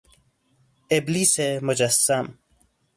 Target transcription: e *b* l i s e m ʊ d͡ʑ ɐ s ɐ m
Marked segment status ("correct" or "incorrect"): correct